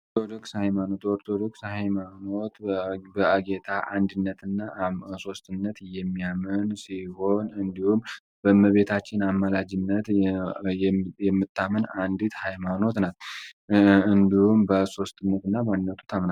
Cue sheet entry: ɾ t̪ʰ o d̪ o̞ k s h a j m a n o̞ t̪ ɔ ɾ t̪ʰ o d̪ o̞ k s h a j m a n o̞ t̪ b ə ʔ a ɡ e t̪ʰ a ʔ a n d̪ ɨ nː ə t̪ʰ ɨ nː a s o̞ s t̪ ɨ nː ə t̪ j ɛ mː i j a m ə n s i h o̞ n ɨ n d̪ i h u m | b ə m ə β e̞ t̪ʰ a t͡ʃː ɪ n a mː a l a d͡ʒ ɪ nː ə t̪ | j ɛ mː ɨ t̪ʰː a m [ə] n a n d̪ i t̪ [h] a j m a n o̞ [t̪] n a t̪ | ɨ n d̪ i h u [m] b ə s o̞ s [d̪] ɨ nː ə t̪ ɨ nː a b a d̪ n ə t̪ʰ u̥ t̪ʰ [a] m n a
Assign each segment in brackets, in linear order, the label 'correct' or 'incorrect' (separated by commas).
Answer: correct, correct, correct, correct, incorrect, correct